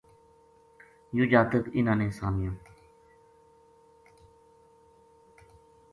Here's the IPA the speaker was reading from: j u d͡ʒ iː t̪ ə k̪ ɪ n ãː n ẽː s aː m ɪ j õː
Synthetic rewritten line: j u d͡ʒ aː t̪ ə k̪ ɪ n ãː n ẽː s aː m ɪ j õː